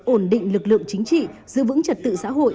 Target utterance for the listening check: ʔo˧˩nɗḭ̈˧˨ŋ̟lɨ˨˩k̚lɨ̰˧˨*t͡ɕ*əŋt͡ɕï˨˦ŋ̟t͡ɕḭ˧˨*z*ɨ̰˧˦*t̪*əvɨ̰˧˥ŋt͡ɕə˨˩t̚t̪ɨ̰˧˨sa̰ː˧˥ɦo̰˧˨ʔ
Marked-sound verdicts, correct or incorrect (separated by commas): incorrect, correct, incorrect